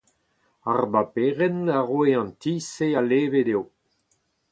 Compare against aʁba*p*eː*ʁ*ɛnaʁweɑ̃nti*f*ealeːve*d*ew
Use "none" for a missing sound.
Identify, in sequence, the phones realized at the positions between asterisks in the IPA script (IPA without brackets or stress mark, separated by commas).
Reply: p, ʁ, s, d